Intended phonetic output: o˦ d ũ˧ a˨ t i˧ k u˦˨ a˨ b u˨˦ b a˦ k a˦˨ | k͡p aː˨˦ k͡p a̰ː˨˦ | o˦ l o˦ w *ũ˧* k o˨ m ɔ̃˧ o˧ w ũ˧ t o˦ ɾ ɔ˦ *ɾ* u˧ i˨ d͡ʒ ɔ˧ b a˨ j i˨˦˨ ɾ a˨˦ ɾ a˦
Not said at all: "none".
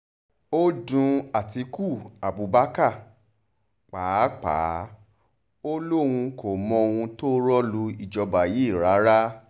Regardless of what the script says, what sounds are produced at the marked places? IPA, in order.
ũ˧, l

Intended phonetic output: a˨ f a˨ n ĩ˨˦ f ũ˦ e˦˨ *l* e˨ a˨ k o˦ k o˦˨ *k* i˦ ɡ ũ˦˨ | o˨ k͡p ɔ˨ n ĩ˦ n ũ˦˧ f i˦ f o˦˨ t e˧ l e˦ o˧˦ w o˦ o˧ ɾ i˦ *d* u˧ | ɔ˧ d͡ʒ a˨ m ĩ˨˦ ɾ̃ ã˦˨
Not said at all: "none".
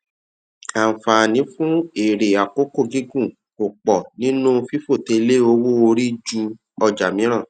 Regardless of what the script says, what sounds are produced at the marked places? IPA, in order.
ɾ, ɡ, d͡ʒ

